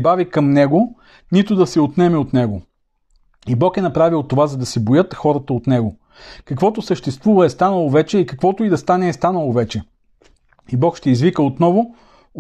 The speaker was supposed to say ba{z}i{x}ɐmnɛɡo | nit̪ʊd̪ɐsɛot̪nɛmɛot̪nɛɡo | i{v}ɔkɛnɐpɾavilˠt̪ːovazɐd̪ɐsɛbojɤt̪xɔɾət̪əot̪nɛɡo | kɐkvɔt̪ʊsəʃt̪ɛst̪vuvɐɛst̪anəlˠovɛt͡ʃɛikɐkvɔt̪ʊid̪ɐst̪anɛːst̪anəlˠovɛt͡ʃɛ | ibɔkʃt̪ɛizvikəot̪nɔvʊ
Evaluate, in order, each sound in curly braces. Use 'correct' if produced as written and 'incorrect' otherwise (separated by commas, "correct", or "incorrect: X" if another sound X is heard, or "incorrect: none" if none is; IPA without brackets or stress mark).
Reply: incorrect: v, incorrect: k, incorrect: b